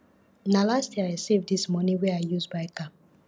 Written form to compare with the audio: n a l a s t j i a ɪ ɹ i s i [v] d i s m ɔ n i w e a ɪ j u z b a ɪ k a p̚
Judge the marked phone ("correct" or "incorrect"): correct